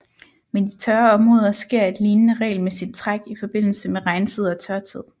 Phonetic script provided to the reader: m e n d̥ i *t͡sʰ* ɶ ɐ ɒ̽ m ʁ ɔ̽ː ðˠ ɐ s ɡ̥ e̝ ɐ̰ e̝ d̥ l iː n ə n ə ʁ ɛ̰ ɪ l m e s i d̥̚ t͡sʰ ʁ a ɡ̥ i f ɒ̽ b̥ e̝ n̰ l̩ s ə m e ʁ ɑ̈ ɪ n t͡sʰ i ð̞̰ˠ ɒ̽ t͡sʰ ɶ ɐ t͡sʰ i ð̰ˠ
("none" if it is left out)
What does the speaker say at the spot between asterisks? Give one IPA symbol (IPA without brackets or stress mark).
t͡sʰ